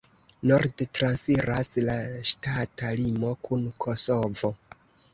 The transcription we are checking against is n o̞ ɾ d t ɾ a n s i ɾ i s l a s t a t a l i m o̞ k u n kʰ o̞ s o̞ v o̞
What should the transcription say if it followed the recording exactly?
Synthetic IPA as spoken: n o̞ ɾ d t ɾ a n s i ɾ a s l a ʃ t a t a l i m o̞ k u n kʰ o̞ s o̞ v o̞